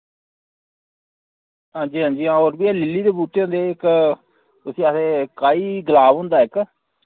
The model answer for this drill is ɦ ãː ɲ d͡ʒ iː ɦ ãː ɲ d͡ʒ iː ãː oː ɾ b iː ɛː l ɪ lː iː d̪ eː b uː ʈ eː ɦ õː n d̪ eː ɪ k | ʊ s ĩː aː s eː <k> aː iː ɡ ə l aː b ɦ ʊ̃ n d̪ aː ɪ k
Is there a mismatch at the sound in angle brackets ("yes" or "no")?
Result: no